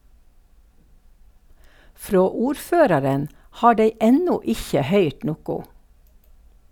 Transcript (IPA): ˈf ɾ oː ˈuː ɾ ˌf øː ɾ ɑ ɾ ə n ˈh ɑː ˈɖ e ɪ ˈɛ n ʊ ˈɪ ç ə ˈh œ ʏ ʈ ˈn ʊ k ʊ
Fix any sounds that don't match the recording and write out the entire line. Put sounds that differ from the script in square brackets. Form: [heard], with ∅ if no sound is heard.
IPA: ˈf ɾ oː ˈuː ɾ ˌf øː ɾ ɑ ɾ ə n ˈh ɑː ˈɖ e ɪ ˈɛ n ʊ ˈɪ ç ə ˈh œ ʏ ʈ ˈn ʊ k ʊ

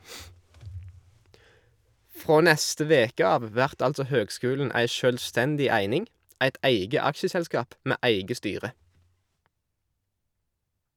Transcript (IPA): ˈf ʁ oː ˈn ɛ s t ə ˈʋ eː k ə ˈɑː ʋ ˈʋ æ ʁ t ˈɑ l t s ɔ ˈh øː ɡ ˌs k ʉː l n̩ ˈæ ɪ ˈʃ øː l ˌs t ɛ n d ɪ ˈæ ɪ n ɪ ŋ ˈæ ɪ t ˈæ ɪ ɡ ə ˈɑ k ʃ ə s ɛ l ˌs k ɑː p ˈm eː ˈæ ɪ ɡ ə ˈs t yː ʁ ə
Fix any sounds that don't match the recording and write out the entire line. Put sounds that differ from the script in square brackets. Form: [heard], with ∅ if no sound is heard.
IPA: ˈf ʁ oː ˈn ɛ s t ə ˈʋ eː k ə ˈɑː ʋ ˈʋ æ ʁ t ˈɑ l t s ɔ ˈh øː ɡ ˌs k ʉː l n̩ ˈæ ɪ ˈʃ øː l ˌs t ɛ n d ɪ ˈæ ɪ n ɪ ŋ ˈæ ɪ t ˈæ ɪ ɡ ə ˈɑ k ʃ ə s ɛ l ˌs k ɑː p ˈm eː ˈæ ɪ ɡ ə ˈs t yː ʁ ə

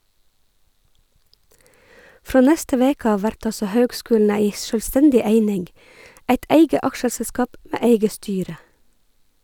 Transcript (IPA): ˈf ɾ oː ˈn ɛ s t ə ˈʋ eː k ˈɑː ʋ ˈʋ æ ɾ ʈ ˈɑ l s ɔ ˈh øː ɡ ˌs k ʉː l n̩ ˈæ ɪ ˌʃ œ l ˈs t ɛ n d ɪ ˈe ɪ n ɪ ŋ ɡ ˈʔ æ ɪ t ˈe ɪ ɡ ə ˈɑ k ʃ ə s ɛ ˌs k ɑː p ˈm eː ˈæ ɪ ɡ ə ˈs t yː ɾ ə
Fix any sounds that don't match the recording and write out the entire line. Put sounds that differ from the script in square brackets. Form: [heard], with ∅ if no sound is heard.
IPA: ˈf ɾ oː ˈn ɛ s t ə ˈʋ eː k ˈɑː ʋ ˈʋ æ ɾ ʈ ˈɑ l s ɔ ˈh øː ɡ ˌs k ʉː l n̩ ˈæ ɪ ˌʃ œ l ˈs t ɛ n d ɪ ˈe ɪ n ɪ ŋ ɡ ˈʔ æ ɪ t ˈe ɪ ɡ ə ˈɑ k ʃ ə s ɛ ˌs k ɑː p ˈm eː [ˈe] ɪ ɡ ə ˈs t yː ɾ ə

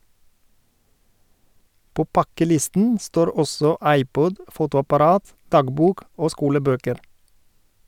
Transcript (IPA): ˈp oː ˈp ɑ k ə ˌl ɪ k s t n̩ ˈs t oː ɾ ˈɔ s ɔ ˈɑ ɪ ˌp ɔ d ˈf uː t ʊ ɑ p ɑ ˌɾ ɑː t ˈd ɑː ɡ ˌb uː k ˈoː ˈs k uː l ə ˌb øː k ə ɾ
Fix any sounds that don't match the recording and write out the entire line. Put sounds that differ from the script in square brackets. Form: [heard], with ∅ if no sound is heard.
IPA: ˈp oː ˈp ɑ k ə ˌl ɪ [∅] s t n̩ ˈs t oː ɾ ˈɔ s ɔ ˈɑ ɪ ˌp ɔ d ˈf uː t ʊ ɑ p ɑ ˌɾ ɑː t ˈd ɑː ɡ ˌb uː k ˈoː ˈs k uː l ə ˌb øː k ə ɾ

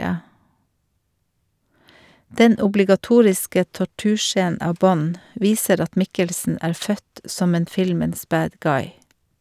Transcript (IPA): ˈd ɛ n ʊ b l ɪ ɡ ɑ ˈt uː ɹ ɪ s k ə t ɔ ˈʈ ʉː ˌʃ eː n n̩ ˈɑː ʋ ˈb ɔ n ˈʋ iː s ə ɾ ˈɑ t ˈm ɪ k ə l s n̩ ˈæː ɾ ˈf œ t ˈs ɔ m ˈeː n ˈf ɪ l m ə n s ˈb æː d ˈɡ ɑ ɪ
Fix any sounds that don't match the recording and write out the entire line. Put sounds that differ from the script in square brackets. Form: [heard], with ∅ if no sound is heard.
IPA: ˈd ɛ n ʊ b l ɪ ɡ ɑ ˈt uː ɹ ɪ s k ə t ɔ ˈʈ ʉː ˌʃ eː n n̩ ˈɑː ʋ ˈb ɔ n ˈʋ iː s ə ɾ ˈɑ t ˈm ɪ k ə l s n̩ ˈæː ɾ ˈf œ t ˈs ɔ m ˈeː n ˈf ɪ l m ə n s ˈb æː d ˈɡ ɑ ɪ

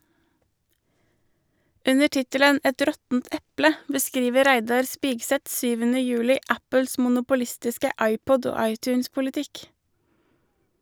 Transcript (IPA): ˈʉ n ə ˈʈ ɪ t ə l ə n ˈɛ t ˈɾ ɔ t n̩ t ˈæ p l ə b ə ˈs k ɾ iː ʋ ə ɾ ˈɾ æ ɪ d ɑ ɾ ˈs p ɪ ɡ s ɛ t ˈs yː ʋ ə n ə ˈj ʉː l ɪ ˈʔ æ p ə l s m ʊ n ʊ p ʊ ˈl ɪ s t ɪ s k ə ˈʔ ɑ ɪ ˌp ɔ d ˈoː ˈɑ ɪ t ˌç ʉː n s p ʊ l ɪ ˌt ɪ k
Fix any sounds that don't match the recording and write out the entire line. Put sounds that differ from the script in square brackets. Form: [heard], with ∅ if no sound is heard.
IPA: ˈʉ n ə ˈʈ ɪ t ə l ə n ˈɛ t ˈɾ ɔ t n̩ t [ˈɛ] p l ə b ə ˈs k ɾ iː ʋ ə ɾ ˈɾ æ ɪ d ɑ ɾ ˈs p ɪ ɡ s ɛ t ˈs yː ʋ ə n ə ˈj ʉː l ɪ ˈʔ æ p ə l s m ʊ n ʊ p ʊ ˈl ɪ s t ɪ s k ə ˈʔ ɑ ɪ ˌp ɔ d ˈoː ˈɑ ɪ t ˌç ʉː n s p ʊ l ɪ ˌt ɪ k

